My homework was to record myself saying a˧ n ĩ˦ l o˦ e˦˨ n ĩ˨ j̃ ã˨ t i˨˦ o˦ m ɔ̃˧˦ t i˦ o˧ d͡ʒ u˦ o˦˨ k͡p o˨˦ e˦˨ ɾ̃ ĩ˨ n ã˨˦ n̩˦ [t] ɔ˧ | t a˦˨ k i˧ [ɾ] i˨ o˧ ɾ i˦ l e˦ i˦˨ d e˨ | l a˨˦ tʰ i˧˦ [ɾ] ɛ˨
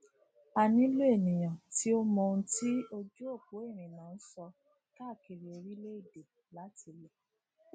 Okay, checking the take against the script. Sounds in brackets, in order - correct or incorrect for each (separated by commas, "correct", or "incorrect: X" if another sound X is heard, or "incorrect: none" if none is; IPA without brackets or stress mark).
incorrect: s, correct, incorrect: l